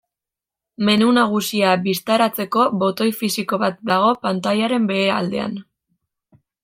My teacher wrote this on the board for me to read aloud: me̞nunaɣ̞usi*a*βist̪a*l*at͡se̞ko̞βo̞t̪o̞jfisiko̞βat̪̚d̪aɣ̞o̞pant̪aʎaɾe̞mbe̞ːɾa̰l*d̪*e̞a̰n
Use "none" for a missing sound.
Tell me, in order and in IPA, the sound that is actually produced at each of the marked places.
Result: a, ɾ, d̪

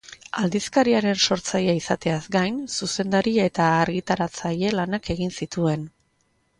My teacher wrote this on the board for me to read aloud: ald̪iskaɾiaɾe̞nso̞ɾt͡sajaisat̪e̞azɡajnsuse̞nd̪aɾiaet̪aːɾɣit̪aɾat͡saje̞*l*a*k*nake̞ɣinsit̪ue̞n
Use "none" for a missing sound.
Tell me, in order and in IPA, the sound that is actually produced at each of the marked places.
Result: l, none

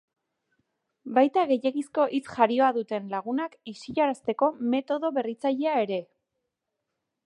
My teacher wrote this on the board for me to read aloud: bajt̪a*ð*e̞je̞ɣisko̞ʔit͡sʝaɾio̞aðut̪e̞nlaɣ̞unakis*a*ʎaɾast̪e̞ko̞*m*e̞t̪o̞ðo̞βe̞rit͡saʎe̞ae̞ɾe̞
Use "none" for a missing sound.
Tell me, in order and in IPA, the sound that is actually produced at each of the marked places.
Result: ɣ, i, m

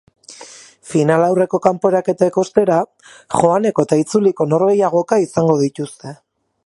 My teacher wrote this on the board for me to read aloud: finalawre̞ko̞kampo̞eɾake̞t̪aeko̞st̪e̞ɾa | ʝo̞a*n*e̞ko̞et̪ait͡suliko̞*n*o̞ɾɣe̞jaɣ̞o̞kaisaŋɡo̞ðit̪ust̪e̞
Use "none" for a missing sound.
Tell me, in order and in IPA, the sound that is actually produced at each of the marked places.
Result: n, n

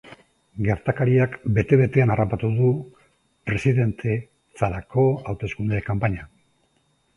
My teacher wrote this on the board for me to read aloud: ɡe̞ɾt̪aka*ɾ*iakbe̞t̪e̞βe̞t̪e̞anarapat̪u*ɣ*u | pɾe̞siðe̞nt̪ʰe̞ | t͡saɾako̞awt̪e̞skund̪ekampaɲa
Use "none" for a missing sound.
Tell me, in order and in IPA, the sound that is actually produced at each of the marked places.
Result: ɾ, ð

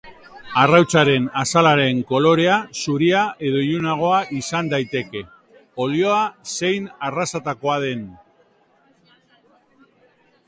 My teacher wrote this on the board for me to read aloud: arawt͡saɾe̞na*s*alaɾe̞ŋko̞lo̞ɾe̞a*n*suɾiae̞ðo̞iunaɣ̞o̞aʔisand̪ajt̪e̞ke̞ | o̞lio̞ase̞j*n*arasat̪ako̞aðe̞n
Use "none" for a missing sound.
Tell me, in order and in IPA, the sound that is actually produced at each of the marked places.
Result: s, none, n

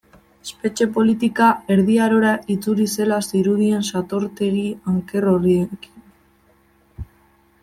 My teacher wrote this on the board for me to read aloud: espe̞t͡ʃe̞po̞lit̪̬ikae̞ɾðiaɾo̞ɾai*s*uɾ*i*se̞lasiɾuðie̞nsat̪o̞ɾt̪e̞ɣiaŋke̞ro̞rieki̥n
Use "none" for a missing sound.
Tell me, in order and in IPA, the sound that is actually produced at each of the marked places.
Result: t͡s, i

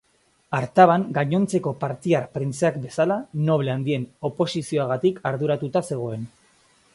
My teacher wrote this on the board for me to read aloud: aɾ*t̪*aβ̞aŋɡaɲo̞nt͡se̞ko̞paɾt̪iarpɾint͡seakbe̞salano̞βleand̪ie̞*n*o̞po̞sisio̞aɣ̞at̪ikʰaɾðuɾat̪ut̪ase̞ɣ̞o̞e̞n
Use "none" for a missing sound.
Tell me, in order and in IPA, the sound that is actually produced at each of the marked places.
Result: t̪, n

